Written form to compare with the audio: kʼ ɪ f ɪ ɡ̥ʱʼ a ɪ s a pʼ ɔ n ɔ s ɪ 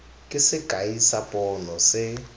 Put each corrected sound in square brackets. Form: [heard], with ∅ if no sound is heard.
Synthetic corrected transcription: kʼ ɪ [s] ɪ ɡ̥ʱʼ a [i] s a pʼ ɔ n ɔ s ɪ